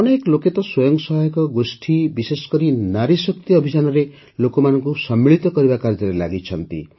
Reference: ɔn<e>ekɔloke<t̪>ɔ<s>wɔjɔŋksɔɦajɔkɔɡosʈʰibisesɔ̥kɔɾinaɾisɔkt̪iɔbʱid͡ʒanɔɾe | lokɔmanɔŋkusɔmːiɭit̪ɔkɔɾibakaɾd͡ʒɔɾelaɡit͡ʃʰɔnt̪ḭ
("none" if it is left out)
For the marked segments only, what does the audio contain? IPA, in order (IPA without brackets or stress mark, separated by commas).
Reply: e, t̪, s